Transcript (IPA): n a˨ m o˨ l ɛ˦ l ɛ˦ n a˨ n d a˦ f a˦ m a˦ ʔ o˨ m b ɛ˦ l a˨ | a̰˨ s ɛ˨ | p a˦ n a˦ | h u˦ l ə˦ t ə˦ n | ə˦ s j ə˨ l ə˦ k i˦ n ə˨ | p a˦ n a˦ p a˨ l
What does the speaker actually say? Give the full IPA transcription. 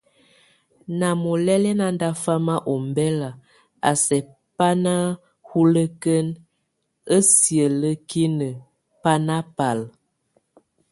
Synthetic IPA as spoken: n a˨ m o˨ l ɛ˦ l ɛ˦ n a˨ n d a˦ f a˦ m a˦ ʔ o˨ m b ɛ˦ l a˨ | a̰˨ s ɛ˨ | p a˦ n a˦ | h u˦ l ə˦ k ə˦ n | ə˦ s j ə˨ l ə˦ k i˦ n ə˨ | p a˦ n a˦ p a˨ l